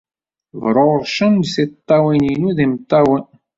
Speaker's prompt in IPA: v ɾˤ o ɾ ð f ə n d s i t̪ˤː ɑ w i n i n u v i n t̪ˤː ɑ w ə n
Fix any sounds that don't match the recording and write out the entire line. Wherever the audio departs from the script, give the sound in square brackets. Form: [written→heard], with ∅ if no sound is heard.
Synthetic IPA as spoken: v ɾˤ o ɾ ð [f→ʃ] ə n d s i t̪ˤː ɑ w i n i n u [v→ð] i [n→m] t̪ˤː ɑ w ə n